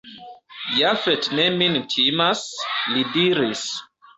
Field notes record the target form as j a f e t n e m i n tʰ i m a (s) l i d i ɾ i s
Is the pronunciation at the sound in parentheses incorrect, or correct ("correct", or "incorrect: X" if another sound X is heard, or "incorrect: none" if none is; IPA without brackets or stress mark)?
correct